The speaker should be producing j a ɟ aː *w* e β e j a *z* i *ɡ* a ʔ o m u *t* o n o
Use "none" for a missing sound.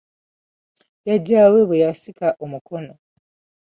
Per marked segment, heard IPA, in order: w, s, k, k

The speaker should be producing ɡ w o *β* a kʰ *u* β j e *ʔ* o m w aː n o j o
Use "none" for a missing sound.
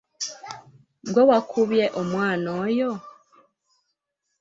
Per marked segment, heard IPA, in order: w, u, ʔ

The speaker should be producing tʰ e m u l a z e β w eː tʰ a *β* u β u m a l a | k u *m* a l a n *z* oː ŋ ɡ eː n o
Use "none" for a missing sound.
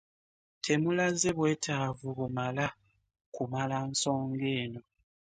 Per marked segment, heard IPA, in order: v, m, s

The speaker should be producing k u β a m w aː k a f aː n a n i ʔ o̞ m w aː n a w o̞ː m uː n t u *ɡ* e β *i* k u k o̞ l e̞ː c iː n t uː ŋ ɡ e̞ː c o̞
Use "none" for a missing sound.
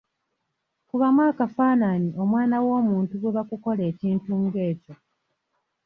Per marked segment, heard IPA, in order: ɡ, a

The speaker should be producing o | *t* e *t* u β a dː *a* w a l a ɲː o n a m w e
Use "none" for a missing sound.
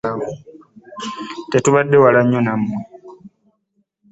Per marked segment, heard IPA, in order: t, t, e

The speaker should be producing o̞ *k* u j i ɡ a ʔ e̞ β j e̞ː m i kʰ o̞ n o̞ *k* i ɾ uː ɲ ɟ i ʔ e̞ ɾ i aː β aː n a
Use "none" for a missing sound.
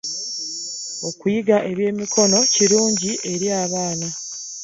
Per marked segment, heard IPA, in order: k, c

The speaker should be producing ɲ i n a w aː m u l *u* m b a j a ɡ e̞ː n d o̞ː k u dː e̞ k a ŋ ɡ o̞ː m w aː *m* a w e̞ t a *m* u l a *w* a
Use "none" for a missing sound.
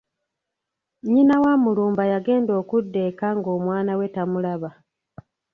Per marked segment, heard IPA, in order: uː, n, m, β

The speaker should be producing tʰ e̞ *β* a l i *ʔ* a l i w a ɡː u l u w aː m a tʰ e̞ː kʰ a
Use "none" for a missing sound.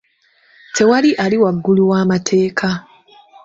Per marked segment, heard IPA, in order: w, ʔ

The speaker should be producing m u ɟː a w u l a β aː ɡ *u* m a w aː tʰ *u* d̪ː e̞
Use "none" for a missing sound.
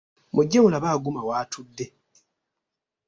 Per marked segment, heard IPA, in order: u, u

